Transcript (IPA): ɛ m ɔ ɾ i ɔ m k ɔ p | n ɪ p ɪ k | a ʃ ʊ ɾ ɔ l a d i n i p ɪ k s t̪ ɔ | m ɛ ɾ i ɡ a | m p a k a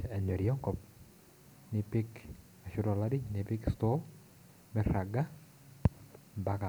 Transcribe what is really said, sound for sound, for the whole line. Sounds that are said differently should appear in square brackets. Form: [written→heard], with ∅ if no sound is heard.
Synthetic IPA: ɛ [m→ɲ] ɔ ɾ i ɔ [m→ŋ] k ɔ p | n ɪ p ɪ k | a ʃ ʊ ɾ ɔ l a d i n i p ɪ k s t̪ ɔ | m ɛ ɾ [i→a] ɡ a | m [p→b] a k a